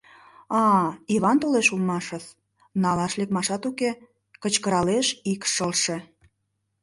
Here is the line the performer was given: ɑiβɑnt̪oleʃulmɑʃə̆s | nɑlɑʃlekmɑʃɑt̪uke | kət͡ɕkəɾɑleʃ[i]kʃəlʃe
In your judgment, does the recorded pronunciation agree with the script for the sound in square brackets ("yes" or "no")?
yes